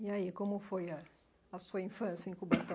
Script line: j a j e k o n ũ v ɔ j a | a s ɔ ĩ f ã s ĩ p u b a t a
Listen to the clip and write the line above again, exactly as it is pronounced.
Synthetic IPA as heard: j a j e k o m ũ f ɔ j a | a s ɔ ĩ f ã s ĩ k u b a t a